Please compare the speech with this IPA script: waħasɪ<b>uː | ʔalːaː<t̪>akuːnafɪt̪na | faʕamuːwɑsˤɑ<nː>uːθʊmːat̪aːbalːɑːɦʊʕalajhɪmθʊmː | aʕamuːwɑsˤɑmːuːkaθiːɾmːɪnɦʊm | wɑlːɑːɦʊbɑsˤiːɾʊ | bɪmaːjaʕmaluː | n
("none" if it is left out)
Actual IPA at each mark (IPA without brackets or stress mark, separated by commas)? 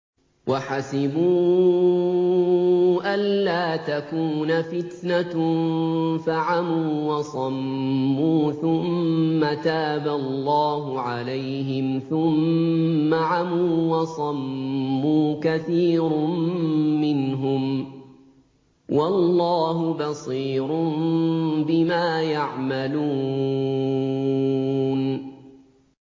b, t̪, mː